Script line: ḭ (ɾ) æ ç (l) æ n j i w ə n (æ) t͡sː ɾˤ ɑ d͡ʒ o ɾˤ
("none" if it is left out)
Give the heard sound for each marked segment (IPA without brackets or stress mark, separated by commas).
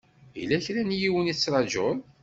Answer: l, ɾ, i